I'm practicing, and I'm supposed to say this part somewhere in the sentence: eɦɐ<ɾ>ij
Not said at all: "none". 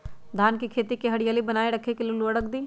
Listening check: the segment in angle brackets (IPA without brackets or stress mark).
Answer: ɽ